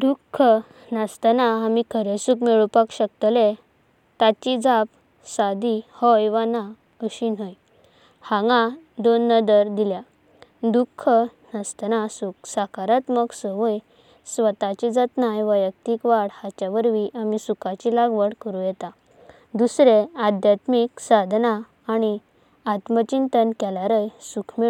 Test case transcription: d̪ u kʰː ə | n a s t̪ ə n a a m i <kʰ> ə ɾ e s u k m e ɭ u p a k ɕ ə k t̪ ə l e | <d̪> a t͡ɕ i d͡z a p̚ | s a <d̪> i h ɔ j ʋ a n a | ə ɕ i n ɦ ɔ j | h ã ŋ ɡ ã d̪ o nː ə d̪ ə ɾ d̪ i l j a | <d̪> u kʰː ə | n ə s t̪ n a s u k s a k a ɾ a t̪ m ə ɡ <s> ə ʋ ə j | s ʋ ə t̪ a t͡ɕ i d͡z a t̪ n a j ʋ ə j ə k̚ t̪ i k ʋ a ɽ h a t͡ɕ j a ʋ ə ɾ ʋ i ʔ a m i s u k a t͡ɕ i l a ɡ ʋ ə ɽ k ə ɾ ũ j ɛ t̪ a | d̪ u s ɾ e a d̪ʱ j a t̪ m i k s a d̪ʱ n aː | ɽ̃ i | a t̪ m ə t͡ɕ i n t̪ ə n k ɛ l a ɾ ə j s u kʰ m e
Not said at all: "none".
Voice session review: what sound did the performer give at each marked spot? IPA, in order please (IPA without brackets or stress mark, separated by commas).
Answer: kʰ, t̪, d̪, d̪, s